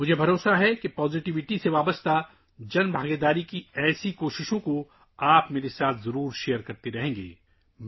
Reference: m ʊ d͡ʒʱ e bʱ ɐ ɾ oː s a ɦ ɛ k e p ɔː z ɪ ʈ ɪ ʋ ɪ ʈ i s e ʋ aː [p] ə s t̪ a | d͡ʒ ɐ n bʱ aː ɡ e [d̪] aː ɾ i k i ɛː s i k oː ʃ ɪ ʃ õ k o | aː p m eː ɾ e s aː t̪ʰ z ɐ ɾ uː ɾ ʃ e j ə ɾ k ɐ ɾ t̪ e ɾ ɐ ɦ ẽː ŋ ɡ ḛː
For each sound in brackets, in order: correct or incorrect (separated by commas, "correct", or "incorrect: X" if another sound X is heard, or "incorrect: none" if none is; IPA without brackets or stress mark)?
incorrect: b, correct